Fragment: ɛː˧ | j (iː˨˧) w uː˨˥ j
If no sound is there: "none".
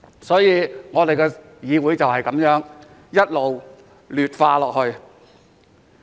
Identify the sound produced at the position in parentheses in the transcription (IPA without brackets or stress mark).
iː˨˧